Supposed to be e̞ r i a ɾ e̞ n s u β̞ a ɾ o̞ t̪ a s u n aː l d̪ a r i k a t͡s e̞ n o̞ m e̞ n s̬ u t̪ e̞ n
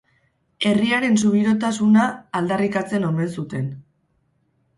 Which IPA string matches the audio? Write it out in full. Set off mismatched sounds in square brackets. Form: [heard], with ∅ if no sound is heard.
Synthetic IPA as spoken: e̞ r i a ɾ e̞ n s u β̞ [i] ɾ o̞ t̪ a s u n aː l d̪ a r i k a t͡s e̞ n o̞ m e̞ n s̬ u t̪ e̞ n